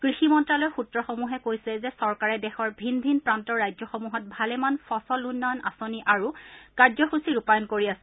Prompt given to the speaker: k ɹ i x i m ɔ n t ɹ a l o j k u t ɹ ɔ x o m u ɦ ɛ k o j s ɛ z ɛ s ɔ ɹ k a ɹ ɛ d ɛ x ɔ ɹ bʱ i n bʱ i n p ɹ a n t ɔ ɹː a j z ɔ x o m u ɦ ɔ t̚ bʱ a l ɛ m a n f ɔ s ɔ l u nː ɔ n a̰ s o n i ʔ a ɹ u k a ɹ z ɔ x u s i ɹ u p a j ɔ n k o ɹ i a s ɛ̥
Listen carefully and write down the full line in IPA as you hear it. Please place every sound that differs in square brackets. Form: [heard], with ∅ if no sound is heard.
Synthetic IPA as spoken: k ɹ i x i m ɔ n t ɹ a l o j [x] u t ɹ ɔ x o m u ɦ ɛ k o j s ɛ z ɛ s ɔ ɹ k a ɹ ɛ d ɛ x ɔ ɹ bʱ i n bʱ i n p ɹ a n t ɔ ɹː a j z ɔ x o m u ɦ ɔ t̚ bʱ a l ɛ m a n f ɔ s ɔ l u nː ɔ n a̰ s o n i ʔ a ɹ u k a ɹ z ɔ x u s i ɹ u p a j ɔ n k o ɹ i a s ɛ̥